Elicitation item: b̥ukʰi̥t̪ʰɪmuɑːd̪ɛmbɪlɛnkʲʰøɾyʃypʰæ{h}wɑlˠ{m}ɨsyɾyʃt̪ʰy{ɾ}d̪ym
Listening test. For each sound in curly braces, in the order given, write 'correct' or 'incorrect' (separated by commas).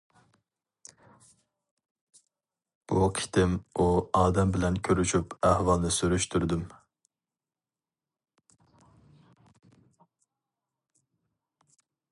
correct, incorrect, correct